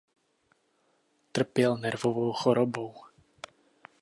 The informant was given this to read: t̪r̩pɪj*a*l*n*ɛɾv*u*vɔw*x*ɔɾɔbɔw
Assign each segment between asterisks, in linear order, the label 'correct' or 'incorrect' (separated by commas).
incorrect, correct, incorrect, correct